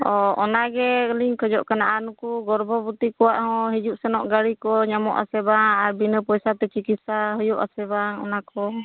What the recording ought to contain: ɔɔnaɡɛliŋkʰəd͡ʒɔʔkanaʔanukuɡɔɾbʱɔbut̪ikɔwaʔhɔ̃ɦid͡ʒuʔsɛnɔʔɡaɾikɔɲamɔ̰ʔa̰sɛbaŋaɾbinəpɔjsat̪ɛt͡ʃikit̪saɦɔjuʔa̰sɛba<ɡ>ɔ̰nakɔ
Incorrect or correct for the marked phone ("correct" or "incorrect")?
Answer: incorrect